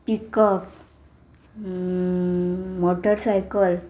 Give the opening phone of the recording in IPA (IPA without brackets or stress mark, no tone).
p